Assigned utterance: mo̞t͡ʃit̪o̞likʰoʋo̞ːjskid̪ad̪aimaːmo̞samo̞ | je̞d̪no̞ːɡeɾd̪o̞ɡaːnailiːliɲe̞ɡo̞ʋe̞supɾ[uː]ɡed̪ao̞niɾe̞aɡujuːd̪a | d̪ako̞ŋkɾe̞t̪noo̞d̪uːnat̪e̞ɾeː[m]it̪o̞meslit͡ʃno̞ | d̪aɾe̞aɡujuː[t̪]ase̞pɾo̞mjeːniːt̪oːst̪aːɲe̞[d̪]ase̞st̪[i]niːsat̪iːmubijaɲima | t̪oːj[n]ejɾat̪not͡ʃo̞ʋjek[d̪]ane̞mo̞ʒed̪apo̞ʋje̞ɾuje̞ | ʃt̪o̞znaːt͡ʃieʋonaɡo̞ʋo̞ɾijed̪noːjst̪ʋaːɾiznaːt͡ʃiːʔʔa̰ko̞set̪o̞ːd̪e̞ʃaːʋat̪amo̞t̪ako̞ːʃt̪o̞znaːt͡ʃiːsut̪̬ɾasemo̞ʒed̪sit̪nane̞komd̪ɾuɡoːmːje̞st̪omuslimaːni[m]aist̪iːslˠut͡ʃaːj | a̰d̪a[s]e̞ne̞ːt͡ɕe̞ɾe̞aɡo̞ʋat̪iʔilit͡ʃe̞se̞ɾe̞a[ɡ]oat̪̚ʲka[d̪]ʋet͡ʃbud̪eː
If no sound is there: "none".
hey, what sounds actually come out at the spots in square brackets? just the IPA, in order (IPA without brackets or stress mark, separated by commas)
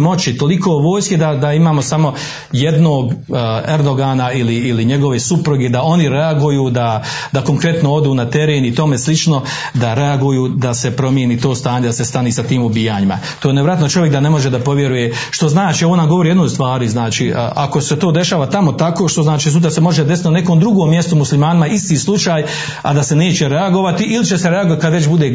u, n, d̪, d̪, a, n, d̪, m, s, ɡ, d̪